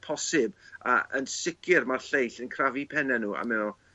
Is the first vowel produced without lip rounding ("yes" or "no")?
no